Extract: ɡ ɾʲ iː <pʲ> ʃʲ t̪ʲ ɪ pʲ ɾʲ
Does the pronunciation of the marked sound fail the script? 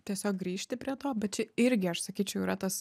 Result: yes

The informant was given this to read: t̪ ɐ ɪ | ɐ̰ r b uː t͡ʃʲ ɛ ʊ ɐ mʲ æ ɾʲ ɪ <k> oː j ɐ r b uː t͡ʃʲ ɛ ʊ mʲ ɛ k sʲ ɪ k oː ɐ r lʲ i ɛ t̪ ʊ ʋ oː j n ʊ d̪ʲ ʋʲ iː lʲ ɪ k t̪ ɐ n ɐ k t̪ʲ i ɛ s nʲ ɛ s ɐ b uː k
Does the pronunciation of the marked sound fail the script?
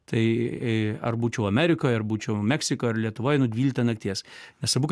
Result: no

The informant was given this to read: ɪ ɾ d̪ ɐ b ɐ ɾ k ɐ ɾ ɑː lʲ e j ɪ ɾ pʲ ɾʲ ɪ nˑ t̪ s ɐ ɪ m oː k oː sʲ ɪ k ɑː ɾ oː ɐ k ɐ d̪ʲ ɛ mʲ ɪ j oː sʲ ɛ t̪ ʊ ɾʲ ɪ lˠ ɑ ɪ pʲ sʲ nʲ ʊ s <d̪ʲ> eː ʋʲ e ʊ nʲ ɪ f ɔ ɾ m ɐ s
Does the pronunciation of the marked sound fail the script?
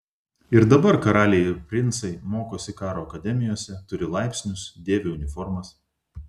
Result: no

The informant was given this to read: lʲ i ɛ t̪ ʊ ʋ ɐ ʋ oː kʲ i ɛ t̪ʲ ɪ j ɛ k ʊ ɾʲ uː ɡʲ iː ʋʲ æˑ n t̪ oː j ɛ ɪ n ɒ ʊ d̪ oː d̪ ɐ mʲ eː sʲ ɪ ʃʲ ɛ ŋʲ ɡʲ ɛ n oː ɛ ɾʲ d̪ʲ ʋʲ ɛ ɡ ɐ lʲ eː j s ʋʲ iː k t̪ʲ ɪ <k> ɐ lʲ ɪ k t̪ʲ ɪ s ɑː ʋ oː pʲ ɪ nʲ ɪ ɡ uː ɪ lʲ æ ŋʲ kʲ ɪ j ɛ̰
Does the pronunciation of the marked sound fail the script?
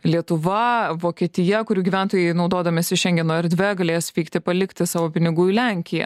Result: yes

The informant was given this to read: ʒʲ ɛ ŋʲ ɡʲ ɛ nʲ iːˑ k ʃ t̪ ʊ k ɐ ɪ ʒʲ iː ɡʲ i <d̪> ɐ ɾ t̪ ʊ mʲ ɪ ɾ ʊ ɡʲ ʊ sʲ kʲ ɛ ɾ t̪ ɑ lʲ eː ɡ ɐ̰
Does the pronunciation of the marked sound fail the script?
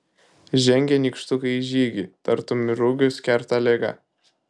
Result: yes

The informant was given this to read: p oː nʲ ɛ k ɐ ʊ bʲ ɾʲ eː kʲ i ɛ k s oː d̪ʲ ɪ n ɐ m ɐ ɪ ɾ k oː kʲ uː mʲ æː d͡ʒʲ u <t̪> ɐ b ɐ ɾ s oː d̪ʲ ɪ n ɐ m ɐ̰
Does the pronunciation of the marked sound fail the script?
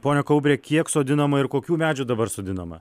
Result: yes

